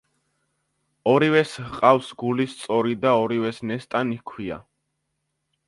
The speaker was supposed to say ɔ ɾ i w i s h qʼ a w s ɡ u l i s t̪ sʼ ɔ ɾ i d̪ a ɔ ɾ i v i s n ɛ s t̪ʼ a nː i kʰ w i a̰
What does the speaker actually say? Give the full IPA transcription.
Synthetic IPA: ɔ ɾ i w ɛ s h qʼ a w s ɡ u l i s t̪ sʼ ɔ ɾ i d̪ a ɔ ɾ i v ɛ s n ɛ s t̪ʼ a n i kʰ w i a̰